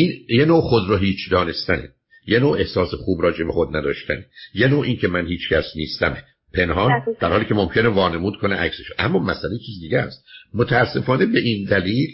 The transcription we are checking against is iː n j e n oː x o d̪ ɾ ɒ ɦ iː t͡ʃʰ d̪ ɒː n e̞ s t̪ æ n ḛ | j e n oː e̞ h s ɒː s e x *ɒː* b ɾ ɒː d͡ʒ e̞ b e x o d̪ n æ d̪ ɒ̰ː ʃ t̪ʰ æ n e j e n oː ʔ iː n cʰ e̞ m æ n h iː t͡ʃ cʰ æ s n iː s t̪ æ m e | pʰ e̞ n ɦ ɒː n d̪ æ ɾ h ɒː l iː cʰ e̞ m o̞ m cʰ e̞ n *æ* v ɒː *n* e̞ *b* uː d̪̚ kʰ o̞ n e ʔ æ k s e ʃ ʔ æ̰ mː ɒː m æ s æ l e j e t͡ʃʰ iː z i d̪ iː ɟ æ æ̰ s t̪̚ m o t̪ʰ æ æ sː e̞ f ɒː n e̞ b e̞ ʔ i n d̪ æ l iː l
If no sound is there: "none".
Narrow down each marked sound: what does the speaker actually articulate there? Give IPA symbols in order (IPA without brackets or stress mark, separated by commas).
uː, e, n, m